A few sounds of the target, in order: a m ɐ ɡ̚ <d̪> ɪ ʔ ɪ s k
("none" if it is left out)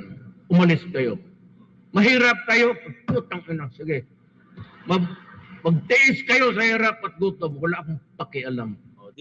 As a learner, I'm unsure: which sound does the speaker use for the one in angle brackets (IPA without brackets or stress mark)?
t̪